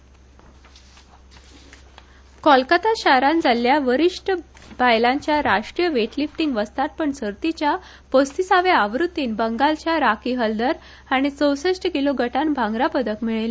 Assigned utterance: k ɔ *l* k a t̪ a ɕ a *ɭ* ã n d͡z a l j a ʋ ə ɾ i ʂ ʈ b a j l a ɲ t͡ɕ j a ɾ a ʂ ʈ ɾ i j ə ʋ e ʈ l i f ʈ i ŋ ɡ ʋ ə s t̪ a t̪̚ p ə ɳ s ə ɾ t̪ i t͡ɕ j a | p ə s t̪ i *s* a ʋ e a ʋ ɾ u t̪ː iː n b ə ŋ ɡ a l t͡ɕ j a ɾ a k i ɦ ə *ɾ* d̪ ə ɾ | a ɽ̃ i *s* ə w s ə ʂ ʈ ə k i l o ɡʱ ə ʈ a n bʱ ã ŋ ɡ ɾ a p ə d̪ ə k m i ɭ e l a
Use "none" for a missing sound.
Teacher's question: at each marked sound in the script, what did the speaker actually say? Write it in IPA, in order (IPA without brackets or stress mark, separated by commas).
l, ɾ, s, l, t͡s